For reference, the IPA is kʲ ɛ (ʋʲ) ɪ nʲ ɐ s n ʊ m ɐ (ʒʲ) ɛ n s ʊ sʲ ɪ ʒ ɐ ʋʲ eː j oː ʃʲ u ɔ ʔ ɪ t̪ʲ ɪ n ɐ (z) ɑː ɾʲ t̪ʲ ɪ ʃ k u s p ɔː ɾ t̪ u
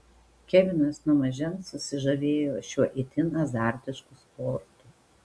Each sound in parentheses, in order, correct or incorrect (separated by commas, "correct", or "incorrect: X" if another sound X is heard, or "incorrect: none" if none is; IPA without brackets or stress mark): correct, correct, correct